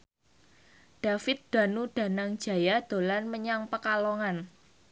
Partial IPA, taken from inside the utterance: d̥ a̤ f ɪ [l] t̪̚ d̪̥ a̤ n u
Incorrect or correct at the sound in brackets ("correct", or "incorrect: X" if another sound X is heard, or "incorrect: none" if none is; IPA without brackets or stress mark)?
incorrect: none